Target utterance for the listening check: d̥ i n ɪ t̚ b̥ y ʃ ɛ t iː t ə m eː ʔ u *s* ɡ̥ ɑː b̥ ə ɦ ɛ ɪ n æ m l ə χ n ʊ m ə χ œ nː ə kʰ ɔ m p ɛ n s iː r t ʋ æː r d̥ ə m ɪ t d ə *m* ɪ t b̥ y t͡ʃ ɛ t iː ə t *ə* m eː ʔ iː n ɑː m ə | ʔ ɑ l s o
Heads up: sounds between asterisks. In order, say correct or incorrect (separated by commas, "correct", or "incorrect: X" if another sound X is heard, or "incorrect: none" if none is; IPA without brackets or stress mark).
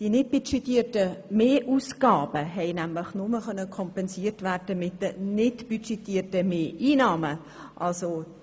correct, incorrect: n, correct